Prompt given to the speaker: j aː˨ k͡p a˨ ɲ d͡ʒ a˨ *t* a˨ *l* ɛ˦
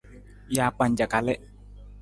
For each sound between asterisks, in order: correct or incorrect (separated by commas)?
incorrect, correct